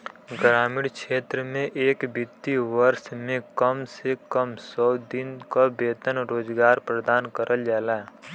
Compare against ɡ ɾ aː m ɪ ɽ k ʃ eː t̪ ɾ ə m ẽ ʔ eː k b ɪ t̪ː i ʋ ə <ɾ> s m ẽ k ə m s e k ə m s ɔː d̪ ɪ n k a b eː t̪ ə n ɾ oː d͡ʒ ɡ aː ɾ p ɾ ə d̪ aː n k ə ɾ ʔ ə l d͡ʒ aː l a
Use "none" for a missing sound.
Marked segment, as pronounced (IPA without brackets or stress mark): ɾ